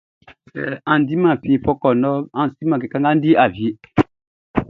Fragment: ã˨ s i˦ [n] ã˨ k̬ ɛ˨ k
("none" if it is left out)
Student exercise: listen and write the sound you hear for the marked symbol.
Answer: m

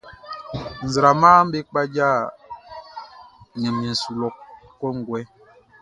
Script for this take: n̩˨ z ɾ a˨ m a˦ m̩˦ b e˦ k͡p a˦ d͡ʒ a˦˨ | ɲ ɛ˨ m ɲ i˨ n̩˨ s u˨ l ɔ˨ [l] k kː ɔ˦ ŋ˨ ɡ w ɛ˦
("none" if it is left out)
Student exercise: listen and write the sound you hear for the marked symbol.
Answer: none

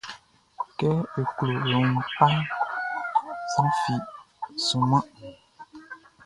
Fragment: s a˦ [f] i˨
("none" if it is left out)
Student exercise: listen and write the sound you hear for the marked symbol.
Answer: f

